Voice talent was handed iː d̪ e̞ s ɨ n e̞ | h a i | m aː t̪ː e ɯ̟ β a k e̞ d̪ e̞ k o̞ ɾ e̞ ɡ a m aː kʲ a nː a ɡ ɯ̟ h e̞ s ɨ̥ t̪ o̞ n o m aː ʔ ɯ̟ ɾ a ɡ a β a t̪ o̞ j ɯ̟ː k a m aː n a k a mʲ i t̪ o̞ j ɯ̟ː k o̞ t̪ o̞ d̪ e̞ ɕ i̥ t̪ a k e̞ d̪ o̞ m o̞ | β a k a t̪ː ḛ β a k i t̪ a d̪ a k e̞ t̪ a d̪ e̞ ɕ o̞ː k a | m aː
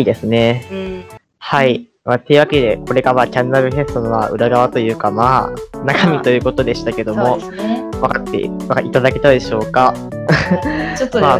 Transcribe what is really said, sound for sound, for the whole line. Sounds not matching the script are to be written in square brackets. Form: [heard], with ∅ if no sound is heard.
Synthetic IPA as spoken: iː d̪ e̞ s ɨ n e̞ | h a i | m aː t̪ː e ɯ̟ β a k e̞ d̪ e̞ k o̞ ɾ e̞ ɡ a m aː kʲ a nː a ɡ ɯ̟ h e̞ s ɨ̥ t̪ o̞ n o m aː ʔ ɯ̟ ɾ a ɡ a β a t̪ o̞ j ɯ̟ː k a m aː n a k a mʲ i t̪ o̞ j ɯ̟ː k o̞ t̪ o̞ d̪ e̞ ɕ i̥ t̪ a k e̞ d̪ o̞ m o̞ | β a k a t̪ː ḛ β a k i t̪ a d̪ a k e̞ t̪ a d̪ e̞ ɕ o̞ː k a | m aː